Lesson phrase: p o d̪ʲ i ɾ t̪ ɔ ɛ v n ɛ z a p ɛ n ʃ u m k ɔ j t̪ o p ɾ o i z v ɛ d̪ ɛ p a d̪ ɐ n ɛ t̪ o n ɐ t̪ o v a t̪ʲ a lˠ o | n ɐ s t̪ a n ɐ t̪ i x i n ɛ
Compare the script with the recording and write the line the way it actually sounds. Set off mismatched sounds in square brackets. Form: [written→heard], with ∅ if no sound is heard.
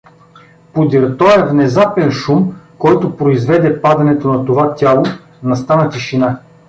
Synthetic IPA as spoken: p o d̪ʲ i ɾ t̪ ɔ ɛ v n ɛ z a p ɛ n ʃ u m k ɔ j t̪ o p ɾ o i z v ɛ d̪ ɛ p a d̪ ɐ n ɛ t̪ o n ɐ t̪ o v a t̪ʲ a lˠ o | n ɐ s t̪ a n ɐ t̪ i [x→ʃ] i n [ɛ→a]